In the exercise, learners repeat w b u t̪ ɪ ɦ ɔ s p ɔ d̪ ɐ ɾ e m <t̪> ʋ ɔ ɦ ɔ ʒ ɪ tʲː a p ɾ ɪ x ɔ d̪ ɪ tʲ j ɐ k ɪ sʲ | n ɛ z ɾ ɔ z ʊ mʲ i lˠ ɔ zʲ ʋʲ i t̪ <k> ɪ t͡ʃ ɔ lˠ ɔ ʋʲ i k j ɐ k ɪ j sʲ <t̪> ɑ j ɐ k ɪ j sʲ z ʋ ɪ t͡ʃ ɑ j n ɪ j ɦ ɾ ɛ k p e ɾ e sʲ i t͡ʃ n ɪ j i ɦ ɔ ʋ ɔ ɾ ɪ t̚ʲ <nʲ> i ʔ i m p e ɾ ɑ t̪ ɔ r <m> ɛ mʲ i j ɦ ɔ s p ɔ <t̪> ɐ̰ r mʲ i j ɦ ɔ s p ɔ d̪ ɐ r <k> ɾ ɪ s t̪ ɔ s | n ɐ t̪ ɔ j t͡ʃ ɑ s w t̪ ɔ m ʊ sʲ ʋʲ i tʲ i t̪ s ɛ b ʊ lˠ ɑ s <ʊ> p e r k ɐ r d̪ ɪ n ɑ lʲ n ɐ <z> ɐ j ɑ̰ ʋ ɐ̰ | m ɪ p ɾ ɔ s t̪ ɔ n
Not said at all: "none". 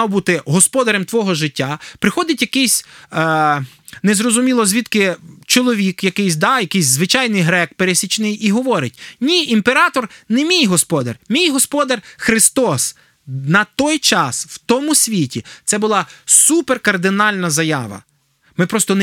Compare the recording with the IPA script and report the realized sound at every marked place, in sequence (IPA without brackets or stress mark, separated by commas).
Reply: t̪, k, d̪, nʲ, n, d̪, x, u, z